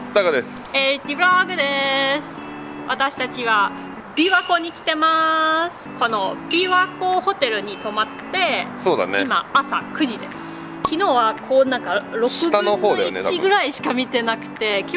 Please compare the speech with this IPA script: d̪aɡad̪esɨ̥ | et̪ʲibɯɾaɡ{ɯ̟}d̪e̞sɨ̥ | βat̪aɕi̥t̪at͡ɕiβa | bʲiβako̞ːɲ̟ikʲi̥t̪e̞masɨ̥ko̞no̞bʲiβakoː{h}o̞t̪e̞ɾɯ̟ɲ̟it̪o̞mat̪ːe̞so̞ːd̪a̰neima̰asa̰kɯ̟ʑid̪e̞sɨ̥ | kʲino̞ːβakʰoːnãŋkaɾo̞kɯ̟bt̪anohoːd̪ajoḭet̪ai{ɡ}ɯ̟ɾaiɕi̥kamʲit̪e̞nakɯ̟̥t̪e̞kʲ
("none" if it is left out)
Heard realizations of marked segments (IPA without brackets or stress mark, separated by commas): ɯ̟, h, ɡ